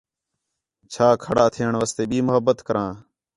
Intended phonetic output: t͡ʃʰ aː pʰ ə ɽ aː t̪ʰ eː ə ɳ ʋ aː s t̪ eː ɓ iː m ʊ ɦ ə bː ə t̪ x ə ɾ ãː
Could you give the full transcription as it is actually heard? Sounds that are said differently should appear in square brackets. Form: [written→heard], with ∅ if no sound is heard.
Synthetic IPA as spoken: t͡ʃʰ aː [pʰ→kʰ] ə ɽ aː t̪ʰ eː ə ɳ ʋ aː s t̪ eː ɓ iː m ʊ ɦ ə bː ə t̪ [x→k] ə ɾ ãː